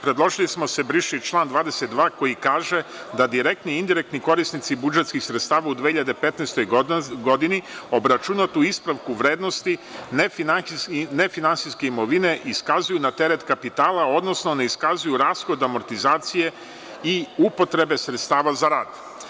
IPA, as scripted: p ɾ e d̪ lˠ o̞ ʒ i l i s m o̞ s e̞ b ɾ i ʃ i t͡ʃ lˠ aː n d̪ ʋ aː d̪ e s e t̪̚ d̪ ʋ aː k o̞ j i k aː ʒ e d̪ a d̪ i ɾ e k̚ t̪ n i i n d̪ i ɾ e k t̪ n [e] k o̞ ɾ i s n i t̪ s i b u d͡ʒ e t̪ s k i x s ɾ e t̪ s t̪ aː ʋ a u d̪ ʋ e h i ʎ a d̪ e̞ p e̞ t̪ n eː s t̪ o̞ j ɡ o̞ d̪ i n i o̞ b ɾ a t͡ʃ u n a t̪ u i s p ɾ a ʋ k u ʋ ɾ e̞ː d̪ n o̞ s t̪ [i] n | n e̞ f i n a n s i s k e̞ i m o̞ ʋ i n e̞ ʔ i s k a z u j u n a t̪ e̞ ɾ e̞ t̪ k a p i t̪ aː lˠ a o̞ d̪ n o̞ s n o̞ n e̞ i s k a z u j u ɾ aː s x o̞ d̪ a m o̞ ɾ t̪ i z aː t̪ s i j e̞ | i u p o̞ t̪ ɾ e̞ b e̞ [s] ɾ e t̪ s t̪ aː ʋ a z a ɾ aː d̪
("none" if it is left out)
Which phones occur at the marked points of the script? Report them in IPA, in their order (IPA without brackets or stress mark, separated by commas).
i, i, s